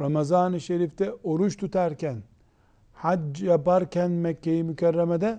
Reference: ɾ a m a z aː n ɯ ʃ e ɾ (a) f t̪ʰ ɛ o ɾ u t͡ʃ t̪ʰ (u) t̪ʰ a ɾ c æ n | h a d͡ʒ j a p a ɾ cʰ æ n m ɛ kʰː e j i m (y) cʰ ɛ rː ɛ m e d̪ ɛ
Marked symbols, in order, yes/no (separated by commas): no, yes, yes